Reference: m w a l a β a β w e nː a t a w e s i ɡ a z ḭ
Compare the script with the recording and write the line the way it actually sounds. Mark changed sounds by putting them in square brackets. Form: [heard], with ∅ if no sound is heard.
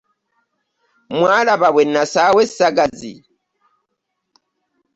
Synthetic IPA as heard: m w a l a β a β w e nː a [s] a w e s [a] ɡ a z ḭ